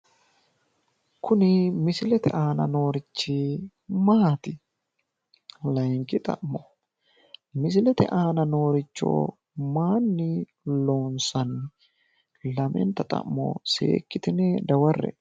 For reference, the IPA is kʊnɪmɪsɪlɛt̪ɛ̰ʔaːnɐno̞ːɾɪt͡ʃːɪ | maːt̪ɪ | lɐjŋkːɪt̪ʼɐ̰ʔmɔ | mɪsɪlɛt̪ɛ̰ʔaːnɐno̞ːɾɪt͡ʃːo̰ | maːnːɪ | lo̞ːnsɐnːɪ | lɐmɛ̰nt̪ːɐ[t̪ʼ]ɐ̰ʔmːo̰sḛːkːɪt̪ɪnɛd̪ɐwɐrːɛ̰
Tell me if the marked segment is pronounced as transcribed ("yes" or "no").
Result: yes